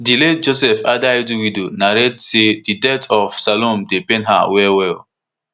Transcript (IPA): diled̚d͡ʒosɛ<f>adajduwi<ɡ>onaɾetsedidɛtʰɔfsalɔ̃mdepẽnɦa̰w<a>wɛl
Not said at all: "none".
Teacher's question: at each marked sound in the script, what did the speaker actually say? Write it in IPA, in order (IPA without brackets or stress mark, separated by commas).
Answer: f, d, ɛ